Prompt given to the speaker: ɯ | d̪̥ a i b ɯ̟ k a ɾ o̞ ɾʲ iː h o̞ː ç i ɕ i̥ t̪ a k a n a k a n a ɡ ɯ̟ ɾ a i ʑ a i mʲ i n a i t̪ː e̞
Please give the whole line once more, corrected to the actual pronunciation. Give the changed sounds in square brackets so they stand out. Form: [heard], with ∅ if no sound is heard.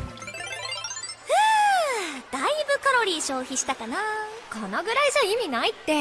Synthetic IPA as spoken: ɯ | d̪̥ a i b ɯ̟ k a ɾ o̞ ɾʲ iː [ɕ] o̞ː ç i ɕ i̥ t̪ a k a n a k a n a ɡ ɯ̟ ɾ a i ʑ a i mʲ i n a i t̪ː e̞

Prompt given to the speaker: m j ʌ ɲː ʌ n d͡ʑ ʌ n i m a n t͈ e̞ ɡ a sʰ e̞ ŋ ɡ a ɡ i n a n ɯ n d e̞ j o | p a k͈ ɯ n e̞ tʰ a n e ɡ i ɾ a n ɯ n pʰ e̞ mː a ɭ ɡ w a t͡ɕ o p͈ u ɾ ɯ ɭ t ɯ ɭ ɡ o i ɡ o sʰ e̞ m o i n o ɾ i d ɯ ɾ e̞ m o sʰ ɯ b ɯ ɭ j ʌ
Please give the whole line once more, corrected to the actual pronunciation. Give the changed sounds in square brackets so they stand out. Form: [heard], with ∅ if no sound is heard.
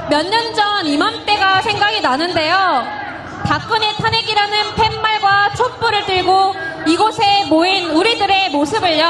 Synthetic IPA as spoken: m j ʌ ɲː ʌ n d͡ʑ ʌ n i m a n t͈ e̞ ɡ a sʰ e̞ ŋ ɡ a ɡ i n a n ɯ n d e̞ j o | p a k͈ ɯ n e̞ tʰ a n e ɡ i ɾ a n ɯ n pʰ e̞ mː a ɭ ɡ w a [t͡ɕʰ] o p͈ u ɾ ɯ ɭ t ɯ ɭ ɡ o i ɡ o sʰ e̞ m o i n [u] ɾ i d ɯ ɾ e̞ m o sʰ ɯ b ɯ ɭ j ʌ

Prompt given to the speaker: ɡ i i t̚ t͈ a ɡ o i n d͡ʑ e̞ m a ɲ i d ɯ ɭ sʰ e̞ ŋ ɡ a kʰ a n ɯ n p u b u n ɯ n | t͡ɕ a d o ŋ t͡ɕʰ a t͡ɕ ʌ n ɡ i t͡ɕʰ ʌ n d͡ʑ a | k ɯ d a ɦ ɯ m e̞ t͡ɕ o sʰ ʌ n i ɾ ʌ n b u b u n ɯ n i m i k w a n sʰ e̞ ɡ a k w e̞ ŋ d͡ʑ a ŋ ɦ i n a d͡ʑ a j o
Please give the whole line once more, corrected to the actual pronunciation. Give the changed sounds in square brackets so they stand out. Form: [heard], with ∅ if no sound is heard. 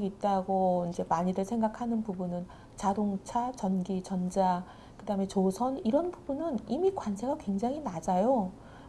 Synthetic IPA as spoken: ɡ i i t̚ t͈ a ɡ o i n d͡ʑ e̞ m a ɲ i d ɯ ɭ sʰ e̞ ŋ ɡ a kʰ a n ɯ n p u b u n ɯ n | t͡ɕ a d o ŋ t͡ɕʰ a t͡ɕ ʌ n ɡ i [t͡ɕ] ʌ n d͡ʑ a | k ɯ d a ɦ ɯ m e̞ t͡ɕ o sʰ ʌ n i ɾ ʌ n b u b u n ɯ n i m i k w a n sʰ e̞ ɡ a k w e̞ ŋ d͡ʑ a ŋ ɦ i n a d͡ʑ a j o

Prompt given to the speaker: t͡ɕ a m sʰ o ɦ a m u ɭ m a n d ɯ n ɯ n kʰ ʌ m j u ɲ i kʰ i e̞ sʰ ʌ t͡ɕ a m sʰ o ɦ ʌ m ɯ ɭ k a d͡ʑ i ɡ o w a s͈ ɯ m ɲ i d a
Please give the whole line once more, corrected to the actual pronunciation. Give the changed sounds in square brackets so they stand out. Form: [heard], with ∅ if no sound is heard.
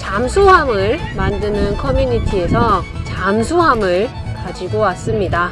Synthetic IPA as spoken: t͡ɕ a m sʰ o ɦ a m [ɯ] ɭ m a n d ɯ n ɯ n kʰ ʌ m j u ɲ i [tʰ] i e̞ sʰ ʌ t͡ɕ a m sʰ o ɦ [a] m ɯ ɭ k a d͡ʑ i ɡ o w a s͈ ɯ m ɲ i d a

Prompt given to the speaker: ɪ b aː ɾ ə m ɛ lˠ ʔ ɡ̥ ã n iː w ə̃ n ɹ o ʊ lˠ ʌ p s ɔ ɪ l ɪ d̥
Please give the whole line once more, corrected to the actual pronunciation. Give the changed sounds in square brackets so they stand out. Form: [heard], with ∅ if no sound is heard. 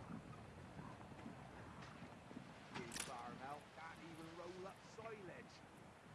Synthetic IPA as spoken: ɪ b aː [ɹ] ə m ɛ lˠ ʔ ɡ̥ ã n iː [v] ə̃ n ɹ o ʊ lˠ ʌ p s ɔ ɪ l ɪ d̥

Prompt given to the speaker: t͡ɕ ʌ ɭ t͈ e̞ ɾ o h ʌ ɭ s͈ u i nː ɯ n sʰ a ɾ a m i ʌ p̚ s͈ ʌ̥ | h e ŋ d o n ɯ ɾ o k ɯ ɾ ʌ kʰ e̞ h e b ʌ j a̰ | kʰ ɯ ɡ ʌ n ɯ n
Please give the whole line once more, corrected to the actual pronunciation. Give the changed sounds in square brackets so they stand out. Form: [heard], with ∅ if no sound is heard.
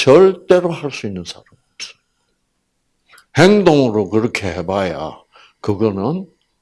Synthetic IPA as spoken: t͡ɕ ʌ ɭ t͈ e̞ ɾ o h [a] ɭ s͈ u i nː ɯ n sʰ a ɾ a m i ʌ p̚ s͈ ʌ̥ | h e ŋ d o [ŋ] ɯ ɾ o k ɯ ɾ ʌ kʰ e̞ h e b [a] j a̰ | [k] ɯ ɡ ʌ n ɯ n

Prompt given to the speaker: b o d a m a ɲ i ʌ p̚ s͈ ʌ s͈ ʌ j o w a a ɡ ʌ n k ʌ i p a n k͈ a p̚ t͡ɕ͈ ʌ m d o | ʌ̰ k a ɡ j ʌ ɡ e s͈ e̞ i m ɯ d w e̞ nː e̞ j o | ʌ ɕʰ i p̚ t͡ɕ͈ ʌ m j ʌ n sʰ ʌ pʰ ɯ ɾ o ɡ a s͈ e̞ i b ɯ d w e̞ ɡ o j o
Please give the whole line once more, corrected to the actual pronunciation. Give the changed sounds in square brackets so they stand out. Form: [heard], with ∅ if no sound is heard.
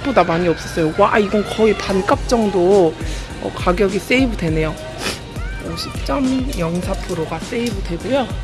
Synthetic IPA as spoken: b o d a m a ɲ i ʌ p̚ s͈ ʌ s͈ ʌ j o w a [i] ɡ ʌ n k ʌ i p a n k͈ a p̚ t͡ɕ͈ ʌ [ŋ] d o | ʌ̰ k a ɡ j ʌ ɡ [i] s͈ e̞ i [b] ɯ d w e̞ [n] e̞ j o | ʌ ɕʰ i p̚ t͡ɕ͈ ʌ m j ʌ [ŋ] sʰ [a] pʰ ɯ ɾ o ɡ a s͈ e̞ i b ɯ d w e̞ ɡ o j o

